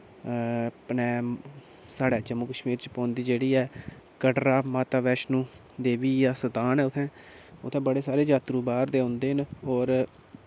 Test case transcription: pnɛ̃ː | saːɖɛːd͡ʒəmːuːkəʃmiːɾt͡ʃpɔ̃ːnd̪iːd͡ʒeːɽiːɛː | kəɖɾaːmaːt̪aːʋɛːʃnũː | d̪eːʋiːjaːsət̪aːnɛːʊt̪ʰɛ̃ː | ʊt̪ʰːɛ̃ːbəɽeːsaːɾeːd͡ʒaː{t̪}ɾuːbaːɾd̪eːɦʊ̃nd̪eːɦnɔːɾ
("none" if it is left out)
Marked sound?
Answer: t̪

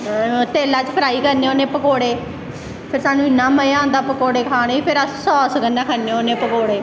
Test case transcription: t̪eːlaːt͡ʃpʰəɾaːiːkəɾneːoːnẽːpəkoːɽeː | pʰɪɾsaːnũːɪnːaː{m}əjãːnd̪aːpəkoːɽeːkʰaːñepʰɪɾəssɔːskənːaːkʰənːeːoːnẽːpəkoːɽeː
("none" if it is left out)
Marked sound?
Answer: m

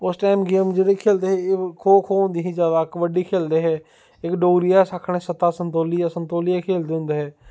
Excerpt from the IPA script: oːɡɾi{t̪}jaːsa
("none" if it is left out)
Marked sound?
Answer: none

